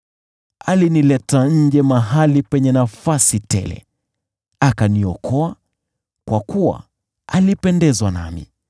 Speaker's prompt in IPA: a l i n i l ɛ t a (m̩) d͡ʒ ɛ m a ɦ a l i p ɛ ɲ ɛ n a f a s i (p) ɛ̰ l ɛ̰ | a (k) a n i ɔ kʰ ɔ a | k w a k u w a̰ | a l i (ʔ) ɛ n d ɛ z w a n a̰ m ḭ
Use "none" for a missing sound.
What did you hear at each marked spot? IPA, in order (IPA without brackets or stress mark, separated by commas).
ɲ̩, t, k, p